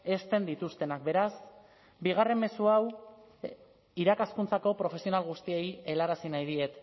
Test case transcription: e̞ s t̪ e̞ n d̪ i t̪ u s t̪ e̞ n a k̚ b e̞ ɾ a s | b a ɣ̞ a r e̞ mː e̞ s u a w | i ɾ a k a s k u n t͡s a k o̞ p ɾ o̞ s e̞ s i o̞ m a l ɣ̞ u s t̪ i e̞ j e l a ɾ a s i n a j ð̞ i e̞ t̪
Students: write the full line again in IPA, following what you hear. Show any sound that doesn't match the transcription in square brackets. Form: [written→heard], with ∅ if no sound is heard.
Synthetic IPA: e̞ s t̪ e̞ n d̪ i t̪ u s t̪ e̞ n a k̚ b e̞ ɾ a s | b [a→i] ɣ̞ a r e̞ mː e̞ s u a w | i ɾ a k a s k u n t͡s a k o̞ p ɾ o̞ [s→f] e̞ s i o̞ [m→n] a l ɣ̞ u s t̪ i e̞ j e l a ɾ a s i n a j ð̞ i e̞ t̪

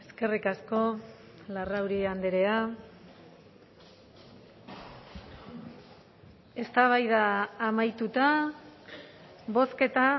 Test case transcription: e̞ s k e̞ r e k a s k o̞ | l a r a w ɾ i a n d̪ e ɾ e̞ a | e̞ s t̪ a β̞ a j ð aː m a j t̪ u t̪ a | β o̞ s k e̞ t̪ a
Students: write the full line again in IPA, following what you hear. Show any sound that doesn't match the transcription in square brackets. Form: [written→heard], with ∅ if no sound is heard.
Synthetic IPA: e̞ s k e̞ r [e→i] k a s k o̞ | l a r a w ɾ i a n d̪ e ɾ e̞ a | e̞ s t̪ a β̞ a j ð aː m a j t̪ u t̪ a | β o̞ s k e̞ t̪ a

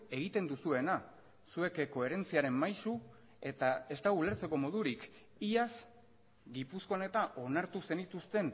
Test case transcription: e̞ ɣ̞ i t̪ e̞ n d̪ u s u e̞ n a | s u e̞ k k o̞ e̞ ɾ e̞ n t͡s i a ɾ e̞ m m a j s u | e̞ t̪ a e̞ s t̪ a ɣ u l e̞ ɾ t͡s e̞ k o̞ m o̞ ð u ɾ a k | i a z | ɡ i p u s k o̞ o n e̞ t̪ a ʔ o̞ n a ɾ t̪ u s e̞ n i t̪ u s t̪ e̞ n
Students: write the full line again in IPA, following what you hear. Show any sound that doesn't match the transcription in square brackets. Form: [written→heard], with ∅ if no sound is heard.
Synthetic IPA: e̞ ɣ̞ i t̪ e̞ n d̪ u s u e̞ n a | s u e̞ k k o̞ e̞ ɾ e̞ n t͡s i a ɾ e̞ m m a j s u | e̞ t̪ a e̞ s t̪ a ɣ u l e̞ ɾ t͡s e̞ k o̞ m o̞ ð u ɾ [a→i] k | i a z | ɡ i p u s k o̞ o n e̞ t̪ a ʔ o̞ n a ɾ t̪ u s e̞ n i t̪ u s t̪ e̞ n

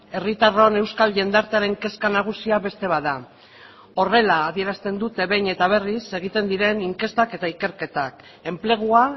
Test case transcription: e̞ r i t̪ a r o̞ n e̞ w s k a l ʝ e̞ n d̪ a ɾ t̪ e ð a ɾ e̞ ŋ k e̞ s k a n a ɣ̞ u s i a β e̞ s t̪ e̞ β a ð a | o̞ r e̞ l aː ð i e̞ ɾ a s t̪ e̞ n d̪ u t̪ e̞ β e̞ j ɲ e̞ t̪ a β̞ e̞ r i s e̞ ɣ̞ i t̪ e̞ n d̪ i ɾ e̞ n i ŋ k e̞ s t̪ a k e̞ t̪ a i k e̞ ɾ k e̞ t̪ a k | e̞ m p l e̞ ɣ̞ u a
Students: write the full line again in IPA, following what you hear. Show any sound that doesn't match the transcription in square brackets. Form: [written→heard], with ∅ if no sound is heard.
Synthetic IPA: e̞ r i t̪ a r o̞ n e̞ w s k a l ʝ e̞ n d̪ a ɾ t̪ e [ð→∅] a ɾ e̞ ŋ k e̞ s k a n a ɣ̞ u s i a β e̞ s t̪ e̞ β a ð a | o̞ r e̞ l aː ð i e̞ ɾ a s t̪ e̞ n d̪ u t̪ e̞ β e̞ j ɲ e̞ t̪ a β̞ e̞ r i s e̞ ɣ̞ i t̪ e̞ n d̪ i ɾ e̞ n i ŋ k e̞ s t̪ a k e̞ t̪ a i k e̞ ɾ k e̞ t̪ a k | e̞ m p l e̞ ɣ̞ u a

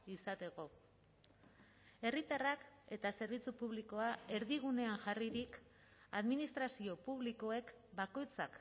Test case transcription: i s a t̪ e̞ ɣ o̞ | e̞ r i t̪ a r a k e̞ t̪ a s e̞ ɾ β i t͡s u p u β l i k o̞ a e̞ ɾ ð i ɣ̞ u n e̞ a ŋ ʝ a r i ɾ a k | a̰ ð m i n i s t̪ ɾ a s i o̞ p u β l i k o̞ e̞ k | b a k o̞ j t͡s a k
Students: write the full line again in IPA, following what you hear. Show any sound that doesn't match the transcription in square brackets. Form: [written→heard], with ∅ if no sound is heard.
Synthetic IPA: i s a t̪ e̞ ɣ o̞ | e̞ r i t̪ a r a k e̞ t̪ a s e̞ ɾ β i t͡s u p u β l i k o̞ a e̞ ɾ ð i ɣ̞ u n e̞ a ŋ ʝ a r i ɾ [a→i] k | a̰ ð m i n i s t̪ ɾ a s i o̞ p u β l i k o̞ e̞ k | b a k o̞ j t͡s a k

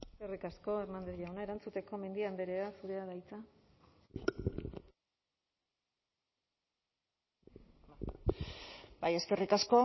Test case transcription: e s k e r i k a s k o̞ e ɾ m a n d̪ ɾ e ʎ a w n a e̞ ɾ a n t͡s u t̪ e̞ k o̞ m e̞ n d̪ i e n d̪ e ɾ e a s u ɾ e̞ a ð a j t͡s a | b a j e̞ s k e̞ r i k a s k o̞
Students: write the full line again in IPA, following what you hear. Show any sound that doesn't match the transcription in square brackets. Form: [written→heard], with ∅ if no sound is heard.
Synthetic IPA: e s k e r i k a s k o̞ e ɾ m a n d̪ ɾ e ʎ a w n a e̞ ɾ a n t͡s u t̪ e̞ k o̞ m e̞ n d̪ i [e→a] n d̪ e ɾ e a s u ɾ e̞ a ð a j t͡s a | b a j e̞ s k e̞ r i k a s k o̞

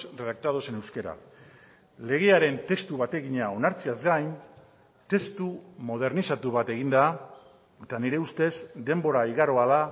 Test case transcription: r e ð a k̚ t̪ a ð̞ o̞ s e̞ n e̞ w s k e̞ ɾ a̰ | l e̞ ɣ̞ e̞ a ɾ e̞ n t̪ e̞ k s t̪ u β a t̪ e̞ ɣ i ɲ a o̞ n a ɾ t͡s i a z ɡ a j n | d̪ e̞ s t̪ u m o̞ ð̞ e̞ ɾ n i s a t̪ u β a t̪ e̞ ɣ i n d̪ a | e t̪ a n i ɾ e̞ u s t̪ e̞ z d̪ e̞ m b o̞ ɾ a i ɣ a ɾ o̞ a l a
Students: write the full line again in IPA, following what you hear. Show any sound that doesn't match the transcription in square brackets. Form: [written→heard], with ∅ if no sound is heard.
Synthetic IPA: r e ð a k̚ t̪ a ð̞ o̞ s e̞ n e̞ w s k e̞ ɾ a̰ | l e̞ ɣ̞ e̞ a ɾ e̞ n t̪ e̞ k s t̪ u β a t̪ e̞ ɣ i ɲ a o̞ n a ɾ t͡s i a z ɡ a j n | [d̪→t̪] e̞ s t̪ u m o̞ ð̞ e̞ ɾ n i s a t̪ u β a t̪ e̞ ɣ i n d̪ a | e t̪ a n i ɾ e̞ u s t̪ e̞ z d̪ e̞ m b o̞ ɾ a i ɣ a ɾ o̞ a l a

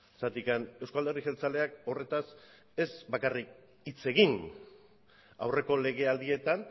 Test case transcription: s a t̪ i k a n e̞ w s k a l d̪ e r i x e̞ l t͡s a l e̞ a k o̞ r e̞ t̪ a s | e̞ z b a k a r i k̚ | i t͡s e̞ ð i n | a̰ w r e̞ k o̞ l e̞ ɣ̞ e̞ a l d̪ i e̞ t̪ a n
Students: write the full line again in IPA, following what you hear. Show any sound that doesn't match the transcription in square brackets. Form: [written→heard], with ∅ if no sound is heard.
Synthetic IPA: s a t̪ i k a n e̞ w s k a l d̪ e r i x e̞ l t͡s a l e̞ a k o̞ r e̞ t̪ a s | e̞ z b a k a r i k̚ | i t͡s e̞ [ð→ɣ] i n | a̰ w r e̞ k o̞ l e̞ ɣ̞ e̞ a l d̪ i e̞ t̪ a n

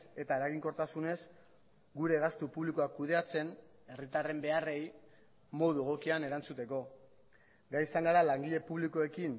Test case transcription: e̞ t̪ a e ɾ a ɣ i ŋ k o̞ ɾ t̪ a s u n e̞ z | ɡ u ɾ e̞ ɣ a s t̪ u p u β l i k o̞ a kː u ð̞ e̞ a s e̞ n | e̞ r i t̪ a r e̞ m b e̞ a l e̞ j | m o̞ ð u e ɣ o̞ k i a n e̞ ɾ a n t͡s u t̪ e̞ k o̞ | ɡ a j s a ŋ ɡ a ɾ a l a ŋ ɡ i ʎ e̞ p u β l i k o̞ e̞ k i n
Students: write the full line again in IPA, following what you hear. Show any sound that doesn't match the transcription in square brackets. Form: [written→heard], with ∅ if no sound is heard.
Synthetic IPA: e̞ t̪ a e ɾ a ɣ i ŋ k o̞ ɾ t̪ a s u n e̞ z | ɡ u ɾ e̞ ɣ a s t̪ u p u β l i k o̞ a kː u ð̞ e̞ a [s→t͡s] e̞ n | e̞ r i t̪ a r e̞ m b e̞ a [l→r] e̞ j | m o̞ ð u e ɣ o̞ k i a n e̞ ɾ a n t͡s u t̪ e̞ k o̞ | ɡ a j s a ŋ ɡ a ɾ a l a ŋ ɡ i ʎ e̞ p u β l i k o̞ e̞ k i n

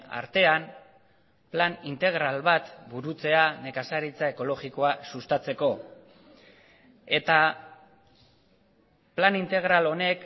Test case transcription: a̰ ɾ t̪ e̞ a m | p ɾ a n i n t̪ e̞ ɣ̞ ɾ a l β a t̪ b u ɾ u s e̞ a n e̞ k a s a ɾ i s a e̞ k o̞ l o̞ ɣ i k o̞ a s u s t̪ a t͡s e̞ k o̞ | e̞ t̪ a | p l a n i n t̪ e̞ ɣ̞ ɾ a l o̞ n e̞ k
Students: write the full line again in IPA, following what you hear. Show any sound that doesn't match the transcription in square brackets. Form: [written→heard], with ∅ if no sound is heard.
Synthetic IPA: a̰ ɾ t̪ e̞ a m | p [ɾ→l] a n i n t̪ e̞ ɣ̞ ɾ a l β a t̪ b u ɾ u [s→t͡s] e̞ a n e̞ k a s a ɾ i [s→t͡s] a e̞ k o̞ l o̞ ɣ i k o̞ a s u s t̪ a t͡s e̞ k o̞ | e̞ t̪ a | p l a n i n t̪ e̞ ɣ̞ ɾ a l o̞ n e̞ k

